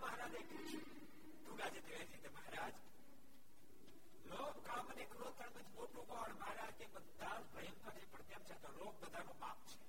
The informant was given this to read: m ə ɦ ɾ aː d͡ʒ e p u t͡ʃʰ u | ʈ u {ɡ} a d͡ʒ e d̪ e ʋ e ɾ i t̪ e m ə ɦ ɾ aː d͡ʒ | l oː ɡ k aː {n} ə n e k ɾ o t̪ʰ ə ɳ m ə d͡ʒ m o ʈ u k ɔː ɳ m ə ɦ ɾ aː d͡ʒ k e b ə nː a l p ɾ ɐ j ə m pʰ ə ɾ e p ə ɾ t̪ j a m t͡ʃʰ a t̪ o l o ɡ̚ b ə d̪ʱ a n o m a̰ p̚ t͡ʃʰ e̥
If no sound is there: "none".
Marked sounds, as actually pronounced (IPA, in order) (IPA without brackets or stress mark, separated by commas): ɡ, m